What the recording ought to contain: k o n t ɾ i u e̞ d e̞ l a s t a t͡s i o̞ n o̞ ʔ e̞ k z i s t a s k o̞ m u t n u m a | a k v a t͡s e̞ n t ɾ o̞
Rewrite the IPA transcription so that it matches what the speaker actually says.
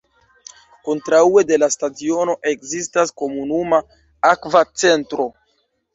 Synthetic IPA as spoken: k o n t ɾ a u e̞ d e̞ l a s t a t͡s i o̞ n o̞ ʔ e̞ k z i s t a s k o̞ m u n u m a | a k v a t͡s e̞ n t ɾ o̞